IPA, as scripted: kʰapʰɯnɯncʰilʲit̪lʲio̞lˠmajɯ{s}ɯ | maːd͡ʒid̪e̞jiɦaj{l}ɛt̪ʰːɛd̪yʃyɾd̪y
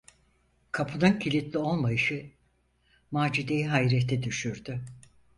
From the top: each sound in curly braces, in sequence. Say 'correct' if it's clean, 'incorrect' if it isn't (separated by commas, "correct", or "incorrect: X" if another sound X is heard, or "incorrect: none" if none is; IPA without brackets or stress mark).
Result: incorrect: ʃ, incorrect: ɾ